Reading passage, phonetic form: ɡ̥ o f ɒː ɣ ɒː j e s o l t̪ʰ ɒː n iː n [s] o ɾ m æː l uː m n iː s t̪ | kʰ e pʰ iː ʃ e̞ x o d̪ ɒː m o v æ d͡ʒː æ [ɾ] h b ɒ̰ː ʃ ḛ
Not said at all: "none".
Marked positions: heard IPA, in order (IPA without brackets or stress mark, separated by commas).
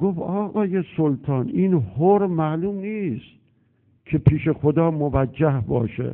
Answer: h, none